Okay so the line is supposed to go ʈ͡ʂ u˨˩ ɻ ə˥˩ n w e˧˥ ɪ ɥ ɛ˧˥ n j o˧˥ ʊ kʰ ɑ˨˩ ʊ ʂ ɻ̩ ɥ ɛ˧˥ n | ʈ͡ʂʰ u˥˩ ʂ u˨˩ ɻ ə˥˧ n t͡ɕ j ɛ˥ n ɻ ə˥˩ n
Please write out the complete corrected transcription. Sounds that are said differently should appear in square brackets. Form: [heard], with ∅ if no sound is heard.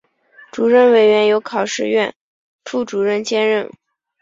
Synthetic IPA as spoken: ʈ͡ʂ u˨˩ ɻ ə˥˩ n w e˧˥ ɪ ɥ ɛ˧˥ n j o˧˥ ʊ kʰ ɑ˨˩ ʊ ʂ ɻ̩ ɥ [ɛ˥˩] n | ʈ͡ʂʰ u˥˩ [ʈ͡ʂ] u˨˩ ɻ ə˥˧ n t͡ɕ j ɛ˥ n ɻ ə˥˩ n